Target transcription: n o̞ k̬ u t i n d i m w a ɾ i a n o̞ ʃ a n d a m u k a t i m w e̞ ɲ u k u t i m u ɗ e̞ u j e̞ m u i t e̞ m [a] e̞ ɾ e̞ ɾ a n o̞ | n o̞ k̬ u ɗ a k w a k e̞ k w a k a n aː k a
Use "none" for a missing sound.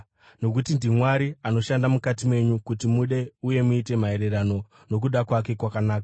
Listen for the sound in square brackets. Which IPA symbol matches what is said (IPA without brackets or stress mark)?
a